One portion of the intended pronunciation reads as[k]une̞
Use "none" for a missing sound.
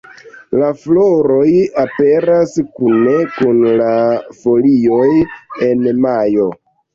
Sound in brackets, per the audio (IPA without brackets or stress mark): k